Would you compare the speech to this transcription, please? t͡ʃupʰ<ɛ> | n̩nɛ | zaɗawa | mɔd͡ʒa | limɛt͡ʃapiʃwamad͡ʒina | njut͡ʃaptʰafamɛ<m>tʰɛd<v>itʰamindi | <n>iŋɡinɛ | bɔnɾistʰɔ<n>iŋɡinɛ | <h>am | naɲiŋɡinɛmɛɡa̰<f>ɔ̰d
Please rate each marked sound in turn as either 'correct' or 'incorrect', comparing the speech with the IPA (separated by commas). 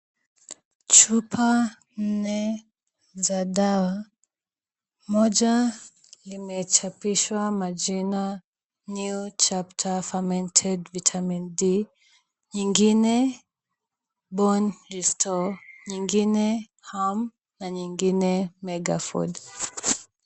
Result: incorrect, incorrect, correct, incorrect, incorrect, correct, correct